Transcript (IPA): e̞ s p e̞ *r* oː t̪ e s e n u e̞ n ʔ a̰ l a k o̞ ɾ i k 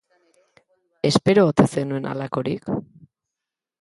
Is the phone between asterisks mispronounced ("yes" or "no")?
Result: yes